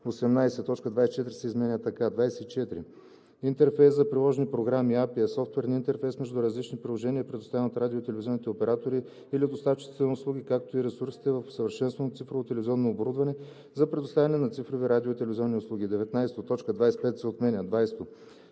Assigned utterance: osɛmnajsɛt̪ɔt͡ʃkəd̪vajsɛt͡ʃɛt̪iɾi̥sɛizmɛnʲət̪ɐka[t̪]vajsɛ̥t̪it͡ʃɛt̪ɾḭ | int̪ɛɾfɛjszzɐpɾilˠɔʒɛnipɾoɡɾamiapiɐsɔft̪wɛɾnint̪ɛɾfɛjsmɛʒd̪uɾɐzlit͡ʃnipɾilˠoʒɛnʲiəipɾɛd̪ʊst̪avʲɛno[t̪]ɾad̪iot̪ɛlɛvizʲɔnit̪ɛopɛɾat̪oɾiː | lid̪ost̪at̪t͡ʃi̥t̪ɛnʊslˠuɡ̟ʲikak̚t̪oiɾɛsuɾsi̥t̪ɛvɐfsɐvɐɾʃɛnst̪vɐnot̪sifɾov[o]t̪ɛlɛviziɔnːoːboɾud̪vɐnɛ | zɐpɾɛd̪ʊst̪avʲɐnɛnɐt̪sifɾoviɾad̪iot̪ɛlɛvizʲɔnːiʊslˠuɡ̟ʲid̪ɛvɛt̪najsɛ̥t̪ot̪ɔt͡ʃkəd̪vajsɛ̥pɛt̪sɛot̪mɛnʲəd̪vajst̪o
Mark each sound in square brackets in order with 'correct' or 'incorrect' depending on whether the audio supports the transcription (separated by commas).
incorrect, correct, correct